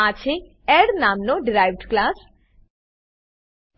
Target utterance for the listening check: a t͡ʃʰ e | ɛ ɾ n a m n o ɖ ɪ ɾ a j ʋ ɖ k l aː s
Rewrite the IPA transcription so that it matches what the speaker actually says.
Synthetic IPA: a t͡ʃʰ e | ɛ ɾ n a m n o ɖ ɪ ɾ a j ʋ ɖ k l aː s